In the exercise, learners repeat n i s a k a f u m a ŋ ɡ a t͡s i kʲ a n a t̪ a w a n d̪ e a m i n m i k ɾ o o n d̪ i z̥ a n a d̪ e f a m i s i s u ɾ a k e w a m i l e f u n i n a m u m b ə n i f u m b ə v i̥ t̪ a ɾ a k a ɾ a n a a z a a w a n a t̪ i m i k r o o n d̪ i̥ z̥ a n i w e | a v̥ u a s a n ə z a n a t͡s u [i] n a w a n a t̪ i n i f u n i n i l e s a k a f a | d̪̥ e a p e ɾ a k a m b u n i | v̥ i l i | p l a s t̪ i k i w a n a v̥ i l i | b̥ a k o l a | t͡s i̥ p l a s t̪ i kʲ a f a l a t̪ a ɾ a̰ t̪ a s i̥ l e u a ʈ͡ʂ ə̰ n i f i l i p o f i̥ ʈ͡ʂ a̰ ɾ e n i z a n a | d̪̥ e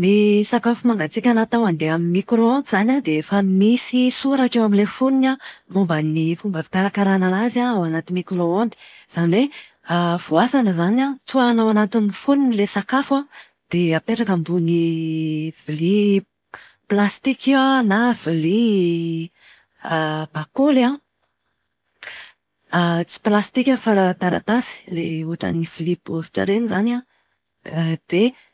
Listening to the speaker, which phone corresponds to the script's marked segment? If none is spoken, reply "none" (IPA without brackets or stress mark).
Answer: a